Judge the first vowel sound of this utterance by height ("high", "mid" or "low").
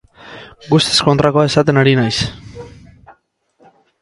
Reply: high